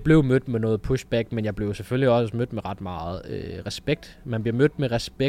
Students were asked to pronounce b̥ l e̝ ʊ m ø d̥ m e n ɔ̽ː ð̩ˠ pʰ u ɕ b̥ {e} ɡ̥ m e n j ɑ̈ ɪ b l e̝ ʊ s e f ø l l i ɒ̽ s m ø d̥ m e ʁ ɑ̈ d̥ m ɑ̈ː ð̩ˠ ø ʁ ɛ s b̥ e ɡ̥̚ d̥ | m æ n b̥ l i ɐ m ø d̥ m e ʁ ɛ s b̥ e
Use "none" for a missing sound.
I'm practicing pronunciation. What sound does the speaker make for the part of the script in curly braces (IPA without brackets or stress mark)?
æ